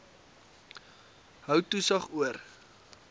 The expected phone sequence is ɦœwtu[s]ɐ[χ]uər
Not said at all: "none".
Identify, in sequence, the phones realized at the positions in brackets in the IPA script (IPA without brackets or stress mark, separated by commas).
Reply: s, χ